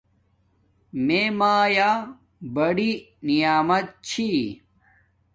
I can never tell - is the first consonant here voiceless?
no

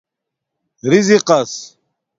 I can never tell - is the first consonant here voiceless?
no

